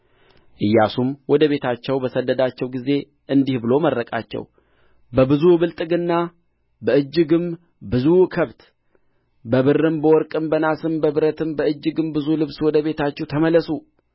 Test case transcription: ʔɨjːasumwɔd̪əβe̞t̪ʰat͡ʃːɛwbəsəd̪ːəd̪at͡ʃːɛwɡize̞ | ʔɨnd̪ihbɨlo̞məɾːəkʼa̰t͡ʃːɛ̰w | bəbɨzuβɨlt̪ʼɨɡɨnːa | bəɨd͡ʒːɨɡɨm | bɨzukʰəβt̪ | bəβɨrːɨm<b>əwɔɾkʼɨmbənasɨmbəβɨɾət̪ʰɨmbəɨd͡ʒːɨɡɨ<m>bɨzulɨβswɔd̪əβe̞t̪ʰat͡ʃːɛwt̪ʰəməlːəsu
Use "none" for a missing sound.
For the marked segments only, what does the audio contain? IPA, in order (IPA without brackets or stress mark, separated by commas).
b, m